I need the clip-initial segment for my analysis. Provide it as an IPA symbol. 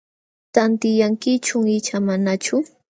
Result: t̪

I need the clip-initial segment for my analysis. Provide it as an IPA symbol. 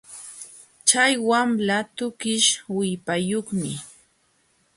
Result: t͡ʃ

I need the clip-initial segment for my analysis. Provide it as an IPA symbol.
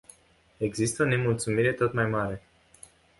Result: e̞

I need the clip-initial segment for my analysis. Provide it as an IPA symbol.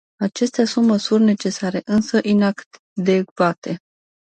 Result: a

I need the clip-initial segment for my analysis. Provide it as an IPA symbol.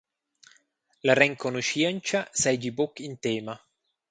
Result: l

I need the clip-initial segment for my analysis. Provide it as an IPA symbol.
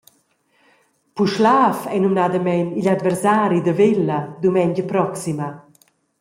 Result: p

